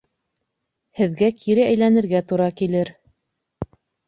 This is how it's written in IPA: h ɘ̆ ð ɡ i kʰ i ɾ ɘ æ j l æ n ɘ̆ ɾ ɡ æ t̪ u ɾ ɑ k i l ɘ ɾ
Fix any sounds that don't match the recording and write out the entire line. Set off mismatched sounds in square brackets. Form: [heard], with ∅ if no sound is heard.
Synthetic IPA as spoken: h ɘ̆ ð ɡ [æ] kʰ i ɾ ɘ æ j l æ n ɘ̆ ɾ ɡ æ t̪ u ɾ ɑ k i l ɘ ɾ